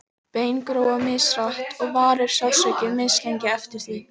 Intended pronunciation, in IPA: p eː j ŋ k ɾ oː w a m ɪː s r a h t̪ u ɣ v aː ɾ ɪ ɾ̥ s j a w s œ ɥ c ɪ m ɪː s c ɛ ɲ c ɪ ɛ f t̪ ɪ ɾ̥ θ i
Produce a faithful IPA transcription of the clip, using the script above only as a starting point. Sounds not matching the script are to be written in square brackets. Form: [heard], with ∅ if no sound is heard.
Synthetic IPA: p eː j [n] k ɾ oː w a m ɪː s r a h t̪ [ɔ] ɣ v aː ɾ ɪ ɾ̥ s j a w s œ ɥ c ɪ m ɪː s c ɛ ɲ c ɪ ɛ f t̪ ɪ ɾ̥ θ i